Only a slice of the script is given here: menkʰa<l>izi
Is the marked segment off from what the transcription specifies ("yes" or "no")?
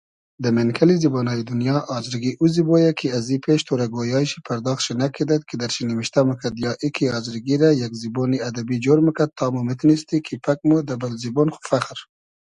no